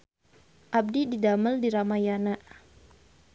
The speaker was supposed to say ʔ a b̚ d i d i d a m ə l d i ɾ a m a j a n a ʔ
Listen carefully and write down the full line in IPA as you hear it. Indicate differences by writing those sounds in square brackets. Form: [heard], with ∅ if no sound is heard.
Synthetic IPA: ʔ a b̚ d i d i d a m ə l d i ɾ a m a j a n a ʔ